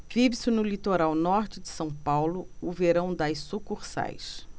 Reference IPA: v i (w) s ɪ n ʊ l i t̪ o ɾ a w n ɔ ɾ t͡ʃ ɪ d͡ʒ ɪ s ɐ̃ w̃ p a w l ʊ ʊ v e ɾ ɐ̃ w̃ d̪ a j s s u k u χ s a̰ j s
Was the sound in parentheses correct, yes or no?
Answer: no